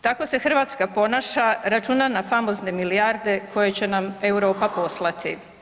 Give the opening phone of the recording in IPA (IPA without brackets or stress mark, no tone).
t̪